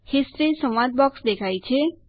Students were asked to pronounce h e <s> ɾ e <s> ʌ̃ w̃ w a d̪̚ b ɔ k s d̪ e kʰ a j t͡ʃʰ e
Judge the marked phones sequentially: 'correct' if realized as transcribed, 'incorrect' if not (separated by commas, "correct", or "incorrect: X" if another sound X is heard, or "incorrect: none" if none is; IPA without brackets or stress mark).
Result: correct, correct